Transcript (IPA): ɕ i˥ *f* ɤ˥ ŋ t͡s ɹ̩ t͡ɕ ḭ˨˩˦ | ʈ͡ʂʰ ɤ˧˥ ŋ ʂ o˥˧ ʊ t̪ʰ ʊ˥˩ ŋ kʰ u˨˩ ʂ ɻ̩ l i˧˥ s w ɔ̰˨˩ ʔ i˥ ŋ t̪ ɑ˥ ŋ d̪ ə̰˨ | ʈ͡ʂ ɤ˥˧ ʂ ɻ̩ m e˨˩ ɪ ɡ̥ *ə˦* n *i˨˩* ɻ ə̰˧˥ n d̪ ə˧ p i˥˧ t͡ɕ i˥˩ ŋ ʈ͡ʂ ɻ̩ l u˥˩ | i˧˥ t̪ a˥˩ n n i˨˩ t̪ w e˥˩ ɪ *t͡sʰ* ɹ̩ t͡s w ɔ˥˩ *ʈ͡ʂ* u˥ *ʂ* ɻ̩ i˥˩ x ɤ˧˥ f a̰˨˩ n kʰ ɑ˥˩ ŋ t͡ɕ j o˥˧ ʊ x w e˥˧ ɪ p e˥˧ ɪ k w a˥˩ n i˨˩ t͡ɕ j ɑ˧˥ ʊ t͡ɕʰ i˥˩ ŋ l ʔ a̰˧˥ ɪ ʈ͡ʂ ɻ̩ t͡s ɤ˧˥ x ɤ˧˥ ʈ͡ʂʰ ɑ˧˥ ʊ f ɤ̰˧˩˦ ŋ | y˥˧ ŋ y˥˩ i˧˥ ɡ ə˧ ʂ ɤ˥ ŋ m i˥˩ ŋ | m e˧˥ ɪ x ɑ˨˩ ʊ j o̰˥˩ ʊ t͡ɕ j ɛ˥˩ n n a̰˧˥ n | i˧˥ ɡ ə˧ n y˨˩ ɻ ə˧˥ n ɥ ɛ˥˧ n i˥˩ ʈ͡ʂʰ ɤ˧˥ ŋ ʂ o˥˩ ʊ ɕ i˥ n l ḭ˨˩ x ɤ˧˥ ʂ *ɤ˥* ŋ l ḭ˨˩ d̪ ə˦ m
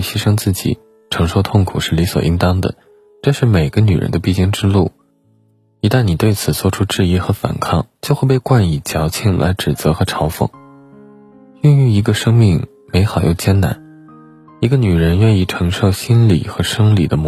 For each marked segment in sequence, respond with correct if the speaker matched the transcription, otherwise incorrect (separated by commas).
incorrect, correct, incorrect, correct, incorrect, incorrect, correct